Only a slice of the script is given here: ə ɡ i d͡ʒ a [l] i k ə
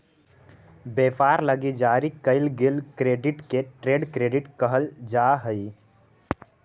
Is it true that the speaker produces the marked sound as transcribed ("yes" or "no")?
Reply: no